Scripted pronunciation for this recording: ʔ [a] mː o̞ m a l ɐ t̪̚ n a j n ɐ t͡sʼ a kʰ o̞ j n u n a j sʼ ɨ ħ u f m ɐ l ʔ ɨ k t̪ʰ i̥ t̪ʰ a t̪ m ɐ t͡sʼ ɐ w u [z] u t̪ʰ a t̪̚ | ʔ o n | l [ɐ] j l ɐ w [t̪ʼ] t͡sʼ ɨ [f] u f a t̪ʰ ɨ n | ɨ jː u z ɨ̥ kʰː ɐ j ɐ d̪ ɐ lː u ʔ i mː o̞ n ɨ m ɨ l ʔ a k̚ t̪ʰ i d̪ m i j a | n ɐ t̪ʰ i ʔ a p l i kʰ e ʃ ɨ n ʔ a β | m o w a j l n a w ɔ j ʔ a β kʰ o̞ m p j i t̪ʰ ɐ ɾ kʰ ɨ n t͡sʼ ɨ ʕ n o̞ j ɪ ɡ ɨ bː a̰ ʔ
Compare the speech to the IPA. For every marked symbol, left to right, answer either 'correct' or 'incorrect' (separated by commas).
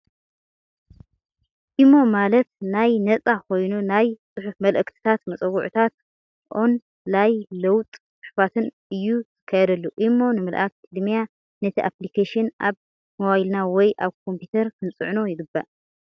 incorrect, incorrect, incorrect, correct, incorrect